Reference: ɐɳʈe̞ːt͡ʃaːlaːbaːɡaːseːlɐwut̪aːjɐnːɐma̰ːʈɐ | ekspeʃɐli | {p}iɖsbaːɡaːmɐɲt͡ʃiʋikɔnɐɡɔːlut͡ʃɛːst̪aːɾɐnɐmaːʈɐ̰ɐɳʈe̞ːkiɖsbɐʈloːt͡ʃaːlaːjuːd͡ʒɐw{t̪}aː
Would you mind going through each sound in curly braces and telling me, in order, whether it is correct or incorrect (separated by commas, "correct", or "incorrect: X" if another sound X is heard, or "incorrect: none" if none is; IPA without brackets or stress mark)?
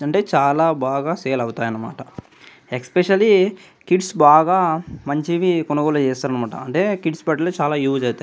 incorrect: k, correct